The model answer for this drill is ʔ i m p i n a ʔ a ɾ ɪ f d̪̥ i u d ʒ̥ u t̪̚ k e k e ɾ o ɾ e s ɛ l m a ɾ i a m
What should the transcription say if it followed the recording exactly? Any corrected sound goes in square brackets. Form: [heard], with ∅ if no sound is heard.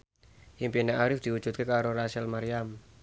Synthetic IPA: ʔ i m p i n a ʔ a ɾ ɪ f d̪̥ i u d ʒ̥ u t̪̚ k e k [a] ɾ o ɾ [a] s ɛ l m a ɾ i a m